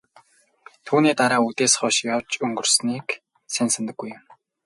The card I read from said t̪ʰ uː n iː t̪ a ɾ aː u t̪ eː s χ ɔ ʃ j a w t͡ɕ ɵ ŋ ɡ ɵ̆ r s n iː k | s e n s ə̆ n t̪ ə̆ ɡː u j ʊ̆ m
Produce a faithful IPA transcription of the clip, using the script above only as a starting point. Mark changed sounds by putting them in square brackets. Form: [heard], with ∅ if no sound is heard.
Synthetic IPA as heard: t̪ʰ uː n iː t̪ a ɾ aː u t̪ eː s χ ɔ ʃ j a w t͡ɕ ɵ ŋ ɡ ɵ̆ r s n iː k | s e n s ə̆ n t̪ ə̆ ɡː u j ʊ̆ m